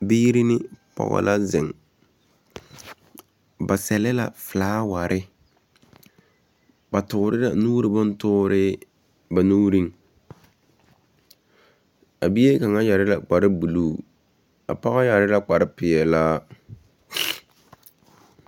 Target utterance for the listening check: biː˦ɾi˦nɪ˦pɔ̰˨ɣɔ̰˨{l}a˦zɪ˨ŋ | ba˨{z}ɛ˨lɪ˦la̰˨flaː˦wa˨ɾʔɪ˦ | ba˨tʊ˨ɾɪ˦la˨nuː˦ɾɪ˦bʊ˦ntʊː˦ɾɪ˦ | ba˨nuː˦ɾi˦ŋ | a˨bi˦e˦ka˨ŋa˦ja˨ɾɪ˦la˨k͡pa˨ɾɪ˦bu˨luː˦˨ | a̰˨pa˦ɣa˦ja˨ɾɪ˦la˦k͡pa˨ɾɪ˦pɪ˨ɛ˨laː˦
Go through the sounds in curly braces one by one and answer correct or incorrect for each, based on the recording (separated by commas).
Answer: correct, incorrect